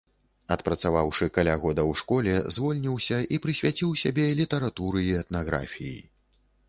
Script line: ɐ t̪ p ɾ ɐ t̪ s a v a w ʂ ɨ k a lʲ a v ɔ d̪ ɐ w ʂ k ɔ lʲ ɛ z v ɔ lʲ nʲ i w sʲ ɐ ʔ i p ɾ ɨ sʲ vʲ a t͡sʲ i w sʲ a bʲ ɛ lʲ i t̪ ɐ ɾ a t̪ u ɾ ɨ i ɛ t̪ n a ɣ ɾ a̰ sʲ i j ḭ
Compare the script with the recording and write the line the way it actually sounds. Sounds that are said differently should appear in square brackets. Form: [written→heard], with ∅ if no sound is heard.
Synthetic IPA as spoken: ɐ t̪ p ɾ ɐ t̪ s a v a w ʂ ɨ k a lʲ a [v→ɣ] ɔ d̪ ɐ w ʂ k ɔ lʲ ɛ z v ɔ lʲ nʲ i w sʲ ɐ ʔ i p ɾ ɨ sʲ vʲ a t͡sʲ i w sʲ a bʲ ɛ lʲ i t̪ ɐ ɾ a t̪ u ɾ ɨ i ɛ t̪ n a ɣ ɾ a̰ [sʲ→fʲ] i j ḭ